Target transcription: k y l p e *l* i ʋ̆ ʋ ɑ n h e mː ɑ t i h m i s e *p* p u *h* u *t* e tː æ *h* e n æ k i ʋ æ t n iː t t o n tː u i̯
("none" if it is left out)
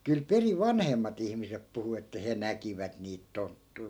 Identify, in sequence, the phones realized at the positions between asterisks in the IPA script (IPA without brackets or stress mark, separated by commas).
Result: r, p, h, none, h